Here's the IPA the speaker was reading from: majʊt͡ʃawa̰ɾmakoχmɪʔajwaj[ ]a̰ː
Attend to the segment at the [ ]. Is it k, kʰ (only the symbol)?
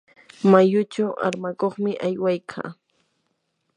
kʰ